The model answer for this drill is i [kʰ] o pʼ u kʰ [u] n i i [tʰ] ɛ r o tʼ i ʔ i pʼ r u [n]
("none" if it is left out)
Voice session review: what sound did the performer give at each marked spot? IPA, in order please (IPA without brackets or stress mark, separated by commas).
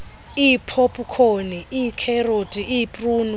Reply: pʰ, o, kʰ, n